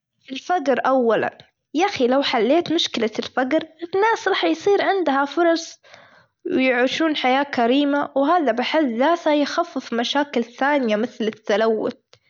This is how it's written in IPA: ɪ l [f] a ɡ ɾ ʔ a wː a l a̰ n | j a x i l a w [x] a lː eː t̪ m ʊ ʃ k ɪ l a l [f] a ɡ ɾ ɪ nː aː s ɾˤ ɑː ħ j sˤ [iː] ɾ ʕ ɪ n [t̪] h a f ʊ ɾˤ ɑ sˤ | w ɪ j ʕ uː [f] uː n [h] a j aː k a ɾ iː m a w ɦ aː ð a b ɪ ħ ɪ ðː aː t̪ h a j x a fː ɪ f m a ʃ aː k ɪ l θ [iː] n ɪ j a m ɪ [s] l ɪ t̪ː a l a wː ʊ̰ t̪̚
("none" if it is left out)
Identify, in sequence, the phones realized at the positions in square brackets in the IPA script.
f, ħ, f, iː, d̪, ʃ, ħ, aː, θ

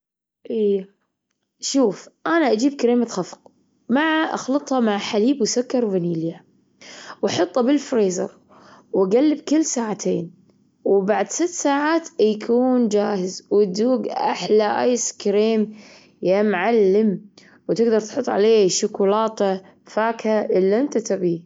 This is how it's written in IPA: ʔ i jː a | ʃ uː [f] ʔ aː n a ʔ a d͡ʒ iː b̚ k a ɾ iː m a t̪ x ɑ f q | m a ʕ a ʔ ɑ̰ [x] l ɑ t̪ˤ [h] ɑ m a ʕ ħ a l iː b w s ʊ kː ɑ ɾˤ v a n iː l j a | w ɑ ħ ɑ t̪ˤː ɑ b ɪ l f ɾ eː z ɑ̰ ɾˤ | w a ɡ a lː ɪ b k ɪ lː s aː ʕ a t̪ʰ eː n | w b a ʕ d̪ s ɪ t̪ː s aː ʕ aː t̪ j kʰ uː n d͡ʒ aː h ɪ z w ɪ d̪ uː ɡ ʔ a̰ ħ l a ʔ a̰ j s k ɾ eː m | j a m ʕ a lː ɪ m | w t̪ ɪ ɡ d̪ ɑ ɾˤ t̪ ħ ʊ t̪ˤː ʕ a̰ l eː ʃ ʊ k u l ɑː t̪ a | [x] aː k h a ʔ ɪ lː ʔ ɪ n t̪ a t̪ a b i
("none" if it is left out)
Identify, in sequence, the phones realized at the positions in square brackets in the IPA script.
f, x, h, f

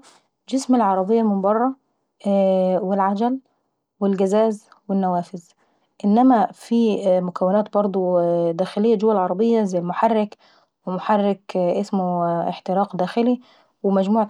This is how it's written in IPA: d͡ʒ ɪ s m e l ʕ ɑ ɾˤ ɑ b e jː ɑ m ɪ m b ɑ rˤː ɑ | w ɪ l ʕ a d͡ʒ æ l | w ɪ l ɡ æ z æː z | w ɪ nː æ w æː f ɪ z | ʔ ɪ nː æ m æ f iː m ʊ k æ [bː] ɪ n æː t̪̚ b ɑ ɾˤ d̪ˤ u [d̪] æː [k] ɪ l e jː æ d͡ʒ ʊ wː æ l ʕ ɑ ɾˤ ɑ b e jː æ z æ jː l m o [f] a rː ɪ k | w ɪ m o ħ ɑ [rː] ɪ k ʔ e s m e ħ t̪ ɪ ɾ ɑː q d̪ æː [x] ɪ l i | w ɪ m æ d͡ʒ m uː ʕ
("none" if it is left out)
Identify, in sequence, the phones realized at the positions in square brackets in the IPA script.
wː, d̪, x, ħ, rː, x

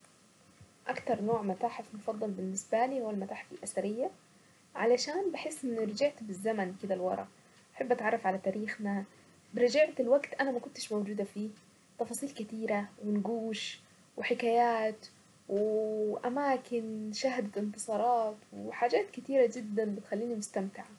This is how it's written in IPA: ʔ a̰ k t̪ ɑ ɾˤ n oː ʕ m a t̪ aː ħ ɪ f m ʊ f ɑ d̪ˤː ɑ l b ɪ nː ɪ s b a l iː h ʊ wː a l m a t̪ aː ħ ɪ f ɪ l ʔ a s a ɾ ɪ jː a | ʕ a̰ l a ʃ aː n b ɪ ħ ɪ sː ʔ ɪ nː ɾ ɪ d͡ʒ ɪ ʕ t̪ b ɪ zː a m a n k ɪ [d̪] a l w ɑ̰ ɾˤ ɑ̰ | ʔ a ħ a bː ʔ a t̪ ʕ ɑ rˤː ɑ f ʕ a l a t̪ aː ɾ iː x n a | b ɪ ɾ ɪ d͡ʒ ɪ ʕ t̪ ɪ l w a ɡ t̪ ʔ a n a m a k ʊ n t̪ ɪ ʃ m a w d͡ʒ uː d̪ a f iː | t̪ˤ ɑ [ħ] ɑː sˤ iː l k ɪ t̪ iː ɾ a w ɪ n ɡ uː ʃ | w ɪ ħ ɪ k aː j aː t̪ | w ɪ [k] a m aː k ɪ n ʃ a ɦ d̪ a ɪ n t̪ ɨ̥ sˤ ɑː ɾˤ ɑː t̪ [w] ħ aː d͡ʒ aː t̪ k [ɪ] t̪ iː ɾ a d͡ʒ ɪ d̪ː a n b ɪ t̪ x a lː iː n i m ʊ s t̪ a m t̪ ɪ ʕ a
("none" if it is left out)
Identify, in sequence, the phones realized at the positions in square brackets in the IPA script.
d̪, f, ʔ, w, ɪ

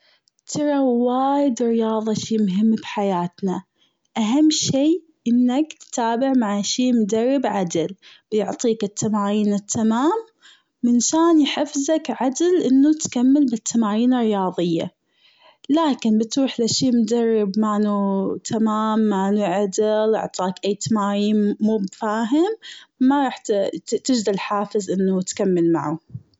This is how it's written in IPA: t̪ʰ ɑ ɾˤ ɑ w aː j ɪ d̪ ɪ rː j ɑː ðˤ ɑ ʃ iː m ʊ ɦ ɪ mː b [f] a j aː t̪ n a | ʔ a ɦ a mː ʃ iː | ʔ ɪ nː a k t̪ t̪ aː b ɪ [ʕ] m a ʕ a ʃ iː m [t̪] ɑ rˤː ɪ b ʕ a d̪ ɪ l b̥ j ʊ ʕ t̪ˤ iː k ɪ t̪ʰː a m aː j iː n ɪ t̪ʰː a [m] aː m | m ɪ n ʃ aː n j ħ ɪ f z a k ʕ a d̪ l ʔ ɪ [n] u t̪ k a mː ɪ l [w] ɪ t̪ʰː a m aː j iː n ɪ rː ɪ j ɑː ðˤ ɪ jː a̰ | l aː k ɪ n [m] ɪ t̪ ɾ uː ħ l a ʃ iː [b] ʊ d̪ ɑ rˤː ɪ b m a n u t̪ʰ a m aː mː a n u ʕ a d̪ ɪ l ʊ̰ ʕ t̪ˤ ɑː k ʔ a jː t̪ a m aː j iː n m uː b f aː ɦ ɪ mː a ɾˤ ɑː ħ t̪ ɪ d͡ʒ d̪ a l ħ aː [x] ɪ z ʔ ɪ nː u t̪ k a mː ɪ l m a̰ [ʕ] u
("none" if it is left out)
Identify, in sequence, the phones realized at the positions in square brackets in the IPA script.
ħ, ʕ, d̪, m, nː, b, b, m, f, ʕ

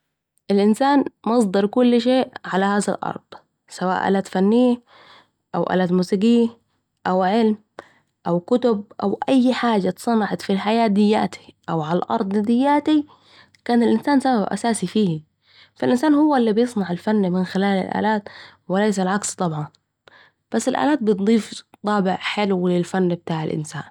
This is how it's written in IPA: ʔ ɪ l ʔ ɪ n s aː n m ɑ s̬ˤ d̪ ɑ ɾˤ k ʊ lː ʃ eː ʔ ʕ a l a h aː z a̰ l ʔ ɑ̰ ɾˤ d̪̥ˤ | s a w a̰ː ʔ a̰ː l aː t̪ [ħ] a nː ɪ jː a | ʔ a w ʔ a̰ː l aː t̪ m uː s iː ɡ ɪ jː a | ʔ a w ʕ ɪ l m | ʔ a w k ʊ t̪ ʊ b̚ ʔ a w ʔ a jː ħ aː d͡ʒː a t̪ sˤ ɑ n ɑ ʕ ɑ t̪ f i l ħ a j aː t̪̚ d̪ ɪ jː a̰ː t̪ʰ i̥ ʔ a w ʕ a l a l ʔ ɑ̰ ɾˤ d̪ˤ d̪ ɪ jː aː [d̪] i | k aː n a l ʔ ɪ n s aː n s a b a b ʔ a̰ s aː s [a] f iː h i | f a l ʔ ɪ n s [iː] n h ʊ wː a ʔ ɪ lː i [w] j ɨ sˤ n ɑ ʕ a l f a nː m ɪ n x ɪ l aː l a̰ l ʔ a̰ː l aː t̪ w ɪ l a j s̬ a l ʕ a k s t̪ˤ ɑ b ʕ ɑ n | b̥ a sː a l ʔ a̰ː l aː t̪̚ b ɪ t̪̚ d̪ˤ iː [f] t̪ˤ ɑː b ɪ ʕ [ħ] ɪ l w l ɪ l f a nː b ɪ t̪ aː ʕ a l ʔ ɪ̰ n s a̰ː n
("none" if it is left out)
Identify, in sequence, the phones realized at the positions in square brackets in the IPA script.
f, t̪, i, aː, b, f, ħ

